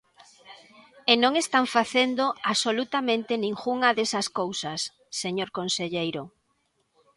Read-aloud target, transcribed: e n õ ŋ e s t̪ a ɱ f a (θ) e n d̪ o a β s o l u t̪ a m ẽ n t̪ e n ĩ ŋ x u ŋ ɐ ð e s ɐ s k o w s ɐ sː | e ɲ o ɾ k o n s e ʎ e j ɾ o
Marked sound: correct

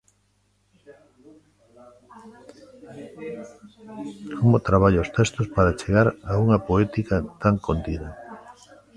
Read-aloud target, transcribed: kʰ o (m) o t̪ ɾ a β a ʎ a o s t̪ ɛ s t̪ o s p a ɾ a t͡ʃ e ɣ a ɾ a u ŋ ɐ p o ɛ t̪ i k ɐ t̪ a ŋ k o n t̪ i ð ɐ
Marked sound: correct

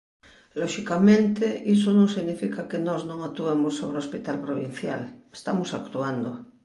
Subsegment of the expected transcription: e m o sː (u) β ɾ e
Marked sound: incorrect: o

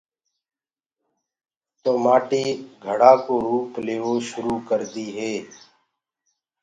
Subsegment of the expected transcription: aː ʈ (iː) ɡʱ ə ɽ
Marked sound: correct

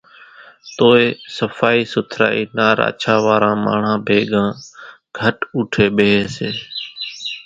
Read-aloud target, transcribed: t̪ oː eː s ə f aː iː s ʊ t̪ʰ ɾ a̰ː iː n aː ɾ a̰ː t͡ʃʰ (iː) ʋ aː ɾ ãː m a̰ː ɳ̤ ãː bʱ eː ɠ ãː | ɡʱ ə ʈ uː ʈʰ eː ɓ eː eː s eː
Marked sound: incorrect: aː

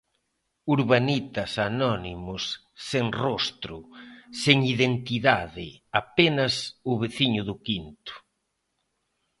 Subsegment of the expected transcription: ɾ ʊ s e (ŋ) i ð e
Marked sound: correct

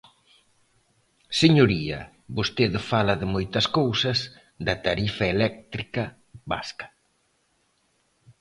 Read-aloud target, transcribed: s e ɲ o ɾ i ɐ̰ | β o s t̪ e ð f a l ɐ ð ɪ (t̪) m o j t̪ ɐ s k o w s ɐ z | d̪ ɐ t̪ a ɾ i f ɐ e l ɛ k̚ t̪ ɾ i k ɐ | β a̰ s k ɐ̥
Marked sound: incorrect: none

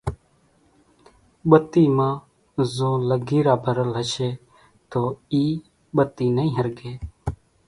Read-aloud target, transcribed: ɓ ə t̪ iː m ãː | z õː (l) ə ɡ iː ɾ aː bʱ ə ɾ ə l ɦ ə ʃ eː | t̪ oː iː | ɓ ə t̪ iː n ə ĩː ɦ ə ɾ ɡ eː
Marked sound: correct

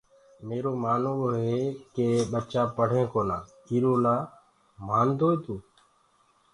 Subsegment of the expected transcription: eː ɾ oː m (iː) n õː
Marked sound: incorrect: aː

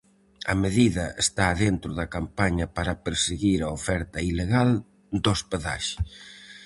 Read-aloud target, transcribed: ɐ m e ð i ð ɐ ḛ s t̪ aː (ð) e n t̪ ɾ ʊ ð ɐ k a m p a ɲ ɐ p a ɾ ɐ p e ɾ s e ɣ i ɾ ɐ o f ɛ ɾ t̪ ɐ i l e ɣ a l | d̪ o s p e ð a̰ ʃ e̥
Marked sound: correct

